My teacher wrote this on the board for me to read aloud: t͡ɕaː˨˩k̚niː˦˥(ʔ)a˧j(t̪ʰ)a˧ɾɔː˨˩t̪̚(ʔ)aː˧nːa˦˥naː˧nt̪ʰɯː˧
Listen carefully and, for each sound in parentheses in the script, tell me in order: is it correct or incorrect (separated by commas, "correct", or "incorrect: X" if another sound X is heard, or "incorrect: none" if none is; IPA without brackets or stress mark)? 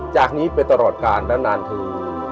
incorrect: p, incorrect: t̪, incorrect: k